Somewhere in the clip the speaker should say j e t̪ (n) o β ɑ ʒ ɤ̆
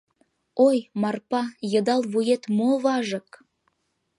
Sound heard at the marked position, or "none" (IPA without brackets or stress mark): m